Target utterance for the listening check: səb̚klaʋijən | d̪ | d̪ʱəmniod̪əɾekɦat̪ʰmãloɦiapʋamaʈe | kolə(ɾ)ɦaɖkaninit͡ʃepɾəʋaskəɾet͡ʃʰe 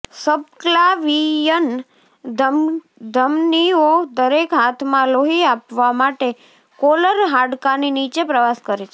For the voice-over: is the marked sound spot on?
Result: yes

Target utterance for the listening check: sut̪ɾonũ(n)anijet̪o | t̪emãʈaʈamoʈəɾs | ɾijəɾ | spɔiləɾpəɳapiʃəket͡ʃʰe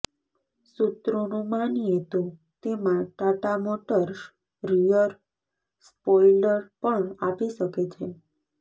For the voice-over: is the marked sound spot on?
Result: no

